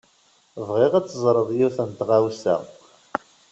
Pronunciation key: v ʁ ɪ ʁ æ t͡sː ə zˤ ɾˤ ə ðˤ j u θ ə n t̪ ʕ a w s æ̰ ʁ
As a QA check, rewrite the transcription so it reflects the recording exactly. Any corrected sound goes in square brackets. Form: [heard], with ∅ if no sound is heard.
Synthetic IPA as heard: v ʁ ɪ ʁ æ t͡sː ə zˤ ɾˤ ə ðˤ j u θ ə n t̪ [ʁ] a w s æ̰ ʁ